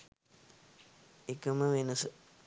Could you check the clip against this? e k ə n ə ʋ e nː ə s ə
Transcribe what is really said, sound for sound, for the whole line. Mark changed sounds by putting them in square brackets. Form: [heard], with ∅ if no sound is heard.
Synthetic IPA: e k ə [m] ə ʋ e [n] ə s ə